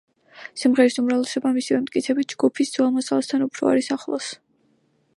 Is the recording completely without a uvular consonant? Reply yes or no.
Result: no